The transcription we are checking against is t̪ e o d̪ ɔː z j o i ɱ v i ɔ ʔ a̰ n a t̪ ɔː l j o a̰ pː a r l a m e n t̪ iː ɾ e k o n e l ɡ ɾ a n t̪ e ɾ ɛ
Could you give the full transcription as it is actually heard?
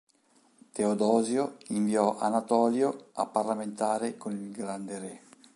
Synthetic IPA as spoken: t̪ e o d̪ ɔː z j o i ɱ v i ɔ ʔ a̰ n a t̪ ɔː l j o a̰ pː a r l a m e n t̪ aː ɾ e k o n i l ɡ ɾ a n d̪ e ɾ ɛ